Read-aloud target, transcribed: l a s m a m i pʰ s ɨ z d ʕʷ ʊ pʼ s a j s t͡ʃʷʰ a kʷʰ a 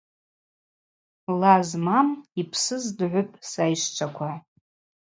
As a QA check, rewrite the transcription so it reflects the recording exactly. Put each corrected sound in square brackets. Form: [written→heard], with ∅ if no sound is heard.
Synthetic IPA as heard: l a [s→z] m a m i pʰ s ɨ z d ʕʷ ʊ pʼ s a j [s→ʂ] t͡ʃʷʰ a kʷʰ a